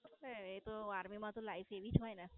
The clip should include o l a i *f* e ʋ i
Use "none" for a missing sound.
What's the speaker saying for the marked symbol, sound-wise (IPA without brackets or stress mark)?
f